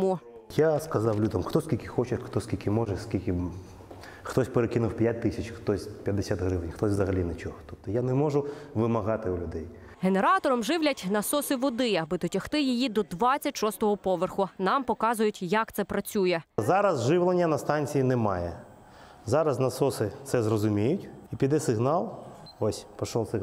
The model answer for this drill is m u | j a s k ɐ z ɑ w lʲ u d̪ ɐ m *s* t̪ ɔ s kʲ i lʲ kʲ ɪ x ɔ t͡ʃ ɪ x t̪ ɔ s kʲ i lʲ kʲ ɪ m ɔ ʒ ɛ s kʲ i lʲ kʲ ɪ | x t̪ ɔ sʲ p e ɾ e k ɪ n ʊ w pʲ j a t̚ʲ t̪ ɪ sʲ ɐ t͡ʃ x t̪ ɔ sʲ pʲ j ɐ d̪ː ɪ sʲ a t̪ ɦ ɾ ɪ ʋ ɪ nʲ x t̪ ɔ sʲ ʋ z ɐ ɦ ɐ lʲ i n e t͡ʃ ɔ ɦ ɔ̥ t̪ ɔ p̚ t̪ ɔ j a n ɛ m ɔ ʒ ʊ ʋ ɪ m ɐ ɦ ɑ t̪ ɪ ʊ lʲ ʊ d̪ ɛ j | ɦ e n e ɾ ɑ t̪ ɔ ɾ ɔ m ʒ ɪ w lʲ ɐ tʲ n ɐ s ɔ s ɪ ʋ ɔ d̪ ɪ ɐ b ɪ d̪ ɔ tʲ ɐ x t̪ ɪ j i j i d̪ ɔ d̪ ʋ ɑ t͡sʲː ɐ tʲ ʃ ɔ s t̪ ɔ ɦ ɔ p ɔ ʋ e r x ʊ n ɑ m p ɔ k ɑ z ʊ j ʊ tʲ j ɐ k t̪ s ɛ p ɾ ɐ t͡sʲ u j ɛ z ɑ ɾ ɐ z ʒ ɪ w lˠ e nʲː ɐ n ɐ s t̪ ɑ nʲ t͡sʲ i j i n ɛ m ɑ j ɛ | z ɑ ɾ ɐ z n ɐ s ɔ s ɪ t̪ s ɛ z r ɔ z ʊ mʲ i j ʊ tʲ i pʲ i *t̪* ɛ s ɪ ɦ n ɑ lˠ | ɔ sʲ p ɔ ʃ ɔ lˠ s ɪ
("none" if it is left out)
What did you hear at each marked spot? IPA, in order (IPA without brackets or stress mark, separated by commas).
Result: x, d̪